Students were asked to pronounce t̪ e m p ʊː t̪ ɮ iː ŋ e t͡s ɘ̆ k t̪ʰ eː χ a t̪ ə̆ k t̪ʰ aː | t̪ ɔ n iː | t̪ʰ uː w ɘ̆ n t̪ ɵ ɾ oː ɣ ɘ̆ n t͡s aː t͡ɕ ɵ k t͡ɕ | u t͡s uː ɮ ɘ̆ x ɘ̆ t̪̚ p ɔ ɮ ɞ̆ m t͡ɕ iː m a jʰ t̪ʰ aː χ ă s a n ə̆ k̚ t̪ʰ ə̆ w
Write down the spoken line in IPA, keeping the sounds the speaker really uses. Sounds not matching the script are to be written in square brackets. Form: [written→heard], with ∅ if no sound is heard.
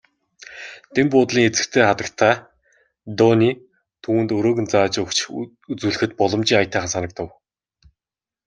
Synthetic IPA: t̪ e m p ʊː t̪ ɮ iː ŋ e t͡s ɘ̆ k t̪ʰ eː χ a t̪ ə̆ k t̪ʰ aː | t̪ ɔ n iː | t̪ʰ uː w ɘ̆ n t̪ ɵ ɾ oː ɣ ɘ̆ n t͡s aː t͡ɕ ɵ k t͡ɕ | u t͡s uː ɮ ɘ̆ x ɘ̆ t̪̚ p ɔ ɮ ɞ̆ m t͡ɕ iː [m→ŋ] a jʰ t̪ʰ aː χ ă s a n ə̆ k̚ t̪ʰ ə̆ w